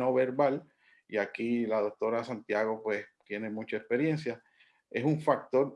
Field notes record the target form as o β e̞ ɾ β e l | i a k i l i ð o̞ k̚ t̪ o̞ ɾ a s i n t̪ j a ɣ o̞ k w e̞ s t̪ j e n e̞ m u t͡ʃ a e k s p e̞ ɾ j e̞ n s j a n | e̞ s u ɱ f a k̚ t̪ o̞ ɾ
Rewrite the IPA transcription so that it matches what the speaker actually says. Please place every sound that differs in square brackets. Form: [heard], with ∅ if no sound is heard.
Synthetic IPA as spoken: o β e̞ ɾ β [a] l | i a k i l [a] ð o̞ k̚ t̪ o̞ ɾ a s [a] n t̪ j a ɣ o̞ [p] w e̞ s t̪ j e n e̞ m u t͡ʃ a e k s p e̞ ɾ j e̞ n s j a [∅] | e̞ s u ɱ f a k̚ t̪ o̞ ɾ